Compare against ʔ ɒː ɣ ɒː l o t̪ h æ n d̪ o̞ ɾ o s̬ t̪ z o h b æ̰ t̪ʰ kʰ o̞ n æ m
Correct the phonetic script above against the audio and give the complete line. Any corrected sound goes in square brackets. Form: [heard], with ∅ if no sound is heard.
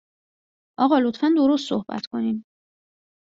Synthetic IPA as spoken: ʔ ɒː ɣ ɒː l o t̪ [f] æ n d̪ o̞ ɾ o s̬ t̪ [s] o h b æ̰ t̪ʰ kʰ o̞ n [i] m

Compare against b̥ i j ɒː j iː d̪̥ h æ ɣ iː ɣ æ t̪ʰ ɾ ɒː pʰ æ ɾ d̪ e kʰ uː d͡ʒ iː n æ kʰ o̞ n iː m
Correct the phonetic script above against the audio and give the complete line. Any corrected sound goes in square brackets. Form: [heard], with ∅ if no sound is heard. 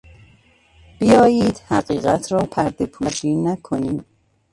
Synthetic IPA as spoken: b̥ i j ɒː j iː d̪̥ h æ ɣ iː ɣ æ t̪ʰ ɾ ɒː pʰ æ ɾ d̪ e [pʰ] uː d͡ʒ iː n æ kʰ o̞ n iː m

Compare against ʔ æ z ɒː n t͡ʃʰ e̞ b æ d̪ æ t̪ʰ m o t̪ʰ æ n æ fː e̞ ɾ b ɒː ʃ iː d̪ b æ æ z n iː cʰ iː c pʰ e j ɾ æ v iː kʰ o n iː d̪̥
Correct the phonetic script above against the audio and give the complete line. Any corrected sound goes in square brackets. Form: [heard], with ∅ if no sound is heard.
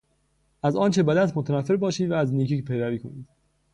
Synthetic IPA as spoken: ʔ æ z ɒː n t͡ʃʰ e̞ b æ d̪ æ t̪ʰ m o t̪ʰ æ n æ fː e̞ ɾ b ɒː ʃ iː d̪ [v] æ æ z n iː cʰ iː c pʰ e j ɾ æ v iː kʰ o n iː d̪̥

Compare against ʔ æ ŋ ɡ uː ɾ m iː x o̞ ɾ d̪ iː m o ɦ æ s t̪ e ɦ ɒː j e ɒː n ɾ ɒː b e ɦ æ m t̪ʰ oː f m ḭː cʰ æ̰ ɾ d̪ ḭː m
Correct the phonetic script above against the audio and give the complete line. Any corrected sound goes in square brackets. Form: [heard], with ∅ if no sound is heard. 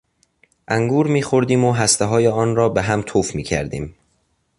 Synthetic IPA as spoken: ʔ æ ŋ ɡ uː ɾ m iː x o̞ ɾ d̪ iː m o ɦ æ s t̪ e ɦ ɒː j e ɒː n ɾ ɒː b e ɦ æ m t̪ʰ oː f m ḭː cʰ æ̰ ɾ d̪ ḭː m

